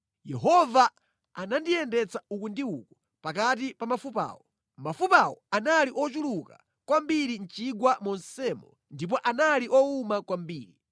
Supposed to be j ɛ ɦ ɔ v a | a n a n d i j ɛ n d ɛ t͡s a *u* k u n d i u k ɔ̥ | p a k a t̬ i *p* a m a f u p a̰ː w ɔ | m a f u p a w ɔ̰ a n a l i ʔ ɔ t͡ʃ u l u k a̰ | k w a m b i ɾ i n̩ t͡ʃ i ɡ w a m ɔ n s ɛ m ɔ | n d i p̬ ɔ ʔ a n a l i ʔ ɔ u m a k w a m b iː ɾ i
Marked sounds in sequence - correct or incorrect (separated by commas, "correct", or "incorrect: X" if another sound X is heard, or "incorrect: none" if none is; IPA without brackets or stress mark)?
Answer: correct, correct